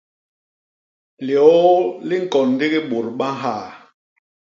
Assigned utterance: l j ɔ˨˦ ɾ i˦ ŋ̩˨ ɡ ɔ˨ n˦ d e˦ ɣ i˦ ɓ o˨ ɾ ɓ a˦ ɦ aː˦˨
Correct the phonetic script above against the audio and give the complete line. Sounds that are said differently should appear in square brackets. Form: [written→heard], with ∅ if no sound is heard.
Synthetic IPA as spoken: l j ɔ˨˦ [ɾ→l] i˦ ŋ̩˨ [ɡ→k] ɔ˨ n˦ d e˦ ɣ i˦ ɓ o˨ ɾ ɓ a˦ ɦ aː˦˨